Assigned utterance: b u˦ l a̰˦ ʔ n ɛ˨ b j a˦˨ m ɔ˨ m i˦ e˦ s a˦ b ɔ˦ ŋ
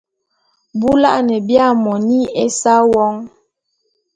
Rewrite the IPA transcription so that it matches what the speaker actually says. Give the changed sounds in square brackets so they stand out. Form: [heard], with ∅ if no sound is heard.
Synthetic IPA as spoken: b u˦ l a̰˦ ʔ n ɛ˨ b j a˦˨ m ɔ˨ [n] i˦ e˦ s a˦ [w] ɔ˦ ŋ